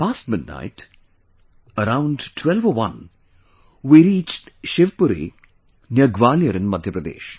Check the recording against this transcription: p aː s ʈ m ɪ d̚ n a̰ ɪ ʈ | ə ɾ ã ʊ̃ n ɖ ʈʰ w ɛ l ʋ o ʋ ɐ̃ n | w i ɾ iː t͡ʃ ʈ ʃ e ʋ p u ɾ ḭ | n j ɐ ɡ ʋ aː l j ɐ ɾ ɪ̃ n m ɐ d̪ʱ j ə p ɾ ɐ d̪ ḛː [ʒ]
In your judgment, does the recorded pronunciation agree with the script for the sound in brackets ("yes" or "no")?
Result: no